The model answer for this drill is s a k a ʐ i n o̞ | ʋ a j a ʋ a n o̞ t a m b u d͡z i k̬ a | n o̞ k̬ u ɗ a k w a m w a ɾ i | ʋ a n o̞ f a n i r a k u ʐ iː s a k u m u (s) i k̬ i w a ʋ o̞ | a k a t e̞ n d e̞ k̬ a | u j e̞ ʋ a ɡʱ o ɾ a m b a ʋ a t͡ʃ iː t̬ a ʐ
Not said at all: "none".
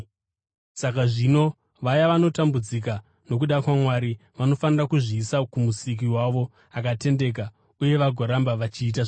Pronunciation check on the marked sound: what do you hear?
s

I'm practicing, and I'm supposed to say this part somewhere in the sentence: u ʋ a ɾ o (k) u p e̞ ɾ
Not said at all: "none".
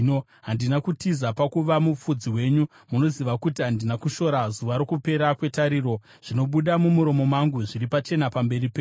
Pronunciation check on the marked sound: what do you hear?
k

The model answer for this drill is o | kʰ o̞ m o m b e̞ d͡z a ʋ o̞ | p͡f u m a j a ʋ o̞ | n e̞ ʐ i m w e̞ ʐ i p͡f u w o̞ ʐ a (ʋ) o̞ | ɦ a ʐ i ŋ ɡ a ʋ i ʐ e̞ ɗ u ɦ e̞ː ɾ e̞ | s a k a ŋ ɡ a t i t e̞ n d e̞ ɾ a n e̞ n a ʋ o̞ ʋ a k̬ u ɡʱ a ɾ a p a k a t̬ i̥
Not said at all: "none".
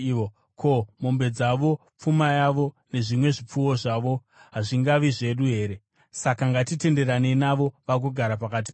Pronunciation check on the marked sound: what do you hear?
ʋ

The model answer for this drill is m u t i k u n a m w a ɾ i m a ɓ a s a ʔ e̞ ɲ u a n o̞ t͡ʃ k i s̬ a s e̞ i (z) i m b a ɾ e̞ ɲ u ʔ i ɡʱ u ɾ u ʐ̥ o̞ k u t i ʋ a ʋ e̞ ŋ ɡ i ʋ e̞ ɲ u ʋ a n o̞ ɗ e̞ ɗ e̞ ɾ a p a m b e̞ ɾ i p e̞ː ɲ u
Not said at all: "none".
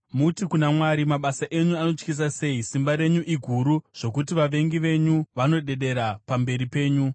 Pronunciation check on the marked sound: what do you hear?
s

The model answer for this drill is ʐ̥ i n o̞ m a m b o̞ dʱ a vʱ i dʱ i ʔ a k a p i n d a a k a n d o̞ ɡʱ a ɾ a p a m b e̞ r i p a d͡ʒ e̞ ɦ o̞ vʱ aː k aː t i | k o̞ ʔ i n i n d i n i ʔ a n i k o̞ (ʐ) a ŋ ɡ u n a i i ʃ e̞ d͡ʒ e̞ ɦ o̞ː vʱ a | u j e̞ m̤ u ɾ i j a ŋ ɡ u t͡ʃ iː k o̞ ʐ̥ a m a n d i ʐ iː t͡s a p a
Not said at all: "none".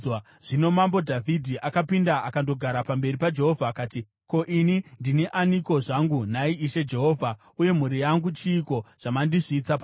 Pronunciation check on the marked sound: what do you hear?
ʐ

